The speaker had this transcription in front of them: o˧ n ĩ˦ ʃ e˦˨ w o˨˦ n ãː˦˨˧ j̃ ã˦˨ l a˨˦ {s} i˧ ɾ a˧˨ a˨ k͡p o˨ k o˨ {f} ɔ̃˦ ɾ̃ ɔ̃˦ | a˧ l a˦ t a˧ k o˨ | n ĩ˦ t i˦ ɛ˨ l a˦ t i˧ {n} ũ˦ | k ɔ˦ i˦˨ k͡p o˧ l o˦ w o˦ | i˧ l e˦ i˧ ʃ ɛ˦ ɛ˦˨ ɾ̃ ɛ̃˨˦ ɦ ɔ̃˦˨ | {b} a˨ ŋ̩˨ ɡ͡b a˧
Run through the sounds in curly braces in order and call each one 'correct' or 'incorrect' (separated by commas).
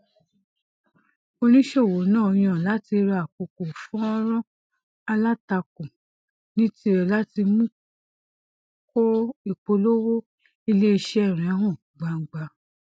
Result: incorrect, correct, incorrect, incorrect